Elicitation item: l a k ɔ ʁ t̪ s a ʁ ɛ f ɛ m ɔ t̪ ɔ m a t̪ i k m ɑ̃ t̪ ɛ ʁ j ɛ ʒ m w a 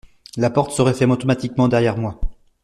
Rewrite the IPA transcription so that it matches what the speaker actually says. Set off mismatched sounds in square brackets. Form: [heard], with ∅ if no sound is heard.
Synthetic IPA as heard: l a [p] ɔ ʁ t̪ s [ə] ʁ ɛ f ɛ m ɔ t̪ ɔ m a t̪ i k m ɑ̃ [d̪] ɛ ʁ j ɛ [ʁ] m w a

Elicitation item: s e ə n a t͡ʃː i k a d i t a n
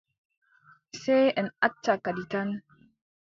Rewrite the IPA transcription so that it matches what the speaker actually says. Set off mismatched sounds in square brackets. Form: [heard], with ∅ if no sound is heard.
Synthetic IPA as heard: s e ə n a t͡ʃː [a] k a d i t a n

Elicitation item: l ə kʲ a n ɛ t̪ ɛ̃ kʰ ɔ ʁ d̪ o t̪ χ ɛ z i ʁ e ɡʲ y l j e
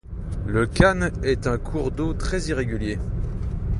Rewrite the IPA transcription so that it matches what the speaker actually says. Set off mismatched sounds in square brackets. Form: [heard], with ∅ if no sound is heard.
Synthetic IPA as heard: l ə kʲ a n ɛ t̪ ɛ̃ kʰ [u] ʁ d̪ o t̪ χ ɛ z i ʁ e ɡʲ y l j e

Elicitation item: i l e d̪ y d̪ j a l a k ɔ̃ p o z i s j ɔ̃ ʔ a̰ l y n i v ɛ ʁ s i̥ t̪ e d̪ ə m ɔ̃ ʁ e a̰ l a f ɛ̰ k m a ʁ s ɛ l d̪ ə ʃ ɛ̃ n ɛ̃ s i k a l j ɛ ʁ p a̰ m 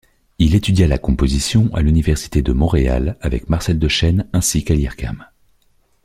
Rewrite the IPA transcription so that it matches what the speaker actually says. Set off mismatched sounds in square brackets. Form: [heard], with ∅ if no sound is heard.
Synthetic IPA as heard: i l e [t̪] y d̪ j a l a k ɔ̃ p o z i s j ɔ̃ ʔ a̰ l y n i v ɛ ʁ s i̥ t̪ e d̪ ə m ɔ̃ ʁ e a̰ l a [v] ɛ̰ k m a ʁ s ɛ l d̪ ə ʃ [ɛ] n ɛ̃ s i k a l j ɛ ʁ [k] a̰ m

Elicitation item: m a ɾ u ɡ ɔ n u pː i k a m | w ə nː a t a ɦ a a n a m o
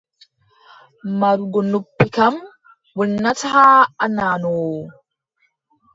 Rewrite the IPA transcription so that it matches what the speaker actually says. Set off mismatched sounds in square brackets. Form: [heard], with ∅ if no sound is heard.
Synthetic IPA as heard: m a ɾ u ɡ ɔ n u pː i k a m | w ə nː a t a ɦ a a n a [n] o

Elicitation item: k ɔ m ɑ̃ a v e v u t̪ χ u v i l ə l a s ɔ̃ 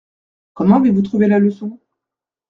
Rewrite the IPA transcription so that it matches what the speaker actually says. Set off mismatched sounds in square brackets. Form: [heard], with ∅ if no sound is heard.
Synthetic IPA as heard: k ɔ m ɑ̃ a v e v u t̪ χ u v [e] l [a] l [ə] s ɔ̃

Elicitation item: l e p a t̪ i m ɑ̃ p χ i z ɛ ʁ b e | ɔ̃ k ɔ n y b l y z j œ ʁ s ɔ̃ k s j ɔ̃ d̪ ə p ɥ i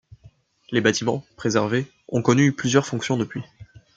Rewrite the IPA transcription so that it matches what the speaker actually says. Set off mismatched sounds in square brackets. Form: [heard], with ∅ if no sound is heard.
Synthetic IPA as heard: l e [b] a t̪ i m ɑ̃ p χ [e] z ɛ ʁ [v] e | ɔ̃ k ɔ n y [p] l y z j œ ʁ [f] ɔ̃ k s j ɔ̃ d̪ ə p ɥ i

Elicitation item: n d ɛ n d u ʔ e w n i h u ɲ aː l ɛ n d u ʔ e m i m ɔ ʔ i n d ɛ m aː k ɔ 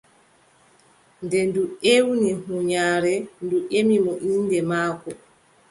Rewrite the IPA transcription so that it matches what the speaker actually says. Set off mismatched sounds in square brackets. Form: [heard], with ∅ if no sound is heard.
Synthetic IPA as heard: n d ɛ n d u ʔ e w n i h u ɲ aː [ɾ] ɛ n d u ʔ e m i m ɔ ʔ i n d ɛ m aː k ɔ

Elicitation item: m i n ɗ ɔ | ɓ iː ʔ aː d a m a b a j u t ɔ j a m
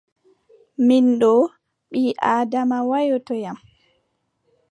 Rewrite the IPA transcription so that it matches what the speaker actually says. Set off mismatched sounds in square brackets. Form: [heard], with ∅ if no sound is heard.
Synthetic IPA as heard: m i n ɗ ɔ | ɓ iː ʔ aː d a m a [w] a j [ɔ] t ɔ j a m

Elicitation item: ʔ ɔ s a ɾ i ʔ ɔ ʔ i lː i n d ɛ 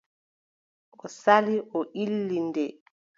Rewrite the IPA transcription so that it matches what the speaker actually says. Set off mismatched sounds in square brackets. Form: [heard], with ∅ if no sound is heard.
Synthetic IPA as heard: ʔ ɔ s a [l] i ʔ ɔ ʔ i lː i n d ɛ

